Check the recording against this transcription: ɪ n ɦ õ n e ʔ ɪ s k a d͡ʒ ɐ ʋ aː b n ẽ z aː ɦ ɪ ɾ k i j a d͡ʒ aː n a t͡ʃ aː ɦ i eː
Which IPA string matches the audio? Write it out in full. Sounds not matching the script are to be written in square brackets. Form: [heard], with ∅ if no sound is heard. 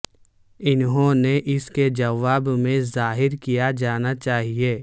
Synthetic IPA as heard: ɪ n ɦ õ n e ʔ ɪ s k [e] d͡ʒ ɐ ʋ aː b [m] ẽ z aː ɦ ɪ ɾ k i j a d͡ʒ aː n a t͡ʃ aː ɦ i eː